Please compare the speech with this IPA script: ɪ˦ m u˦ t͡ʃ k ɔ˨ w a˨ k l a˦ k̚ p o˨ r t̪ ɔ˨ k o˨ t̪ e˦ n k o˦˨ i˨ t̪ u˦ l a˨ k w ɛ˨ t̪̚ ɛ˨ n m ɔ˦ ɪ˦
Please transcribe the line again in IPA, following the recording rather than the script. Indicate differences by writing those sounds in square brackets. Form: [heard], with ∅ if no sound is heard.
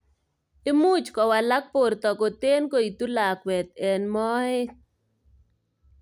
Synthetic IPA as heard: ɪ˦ m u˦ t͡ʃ k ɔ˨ w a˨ [∅] l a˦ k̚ p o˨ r t̪ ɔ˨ k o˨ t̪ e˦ n k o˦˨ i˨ t̪ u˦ l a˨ k w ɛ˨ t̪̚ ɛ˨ n m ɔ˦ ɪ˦